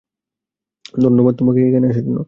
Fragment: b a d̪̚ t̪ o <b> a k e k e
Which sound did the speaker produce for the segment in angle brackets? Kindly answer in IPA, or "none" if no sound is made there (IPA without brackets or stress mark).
m